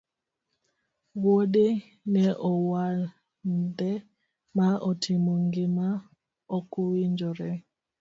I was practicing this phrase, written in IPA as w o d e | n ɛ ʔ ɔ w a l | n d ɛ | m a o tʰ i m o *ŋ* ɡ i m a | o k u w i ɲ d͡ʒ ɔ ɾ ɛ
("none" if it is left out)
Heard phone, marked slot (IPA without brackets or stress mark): ŋ